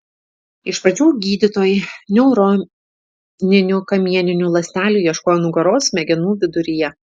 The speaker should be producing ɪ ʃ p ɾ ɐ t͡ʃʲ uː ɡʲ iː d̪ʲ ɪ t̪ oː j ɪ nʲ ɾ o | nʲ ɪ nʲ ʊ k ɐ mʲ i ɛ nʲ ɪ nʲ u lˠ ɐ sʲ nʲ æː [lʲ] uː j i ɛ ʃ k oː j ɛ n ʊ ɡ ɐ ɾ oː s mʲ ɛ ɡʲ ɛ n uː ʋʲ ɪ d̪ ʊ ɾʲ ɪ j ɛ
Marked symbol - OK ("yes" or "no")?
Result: yes